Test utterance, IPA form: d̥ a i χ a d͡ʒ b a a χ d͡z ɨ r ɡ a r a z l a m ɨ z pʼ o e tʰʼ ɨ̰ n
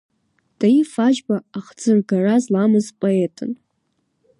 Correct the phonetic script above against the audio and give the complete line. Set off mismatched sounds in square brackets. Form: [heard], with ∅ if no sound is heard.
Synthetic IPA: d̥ a i [f] a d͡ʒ b a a χ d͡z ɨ r ɡ a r a z l a m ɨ z pʼ o e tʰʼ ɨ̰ n